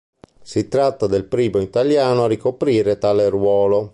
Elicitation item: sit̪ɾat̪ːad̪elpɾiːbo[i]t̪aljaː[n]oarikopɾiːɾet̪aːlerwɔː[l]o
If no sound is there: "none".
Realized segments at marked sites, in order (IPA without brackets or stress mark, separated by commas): i, n, l